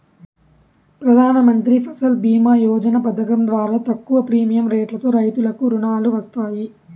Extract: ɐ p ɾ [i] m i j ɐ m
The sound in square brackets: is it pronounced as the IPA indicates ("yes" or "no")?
no